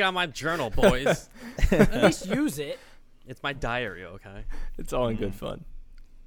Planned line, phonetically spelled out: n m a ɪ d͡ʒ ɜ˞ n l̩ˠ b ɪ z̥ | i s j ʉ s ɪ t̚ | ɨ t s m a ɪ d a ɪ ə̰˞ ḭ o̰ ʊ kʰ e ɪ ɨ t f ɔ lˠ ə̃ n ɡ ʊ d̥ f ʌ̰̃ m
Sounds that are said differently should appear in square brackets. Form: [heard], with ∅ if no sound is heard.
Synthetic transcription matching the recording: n m a ɪ d͡ʒ ɜ˞ n l̩ˠ b ɪ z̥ | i s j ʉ [z] ɪ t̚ | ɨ t s m a ɪ d a ɪ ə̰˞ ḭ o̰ ʊ kʰ e ɪ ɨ t [s] ɔ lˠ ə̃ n ɡ ʊ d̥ f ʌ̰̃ [n]